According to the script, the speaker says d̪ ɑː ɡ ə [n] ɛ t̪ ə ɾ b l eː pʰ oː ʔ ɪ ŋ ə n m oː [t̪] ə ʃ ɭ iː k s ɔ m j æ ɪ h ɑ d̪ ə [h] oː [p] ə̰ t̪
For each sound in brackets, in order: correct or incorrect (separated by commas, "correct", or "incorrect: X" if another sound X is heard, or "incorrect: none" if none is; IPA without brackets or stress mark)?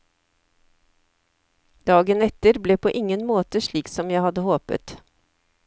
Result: correct, correct, correct, correct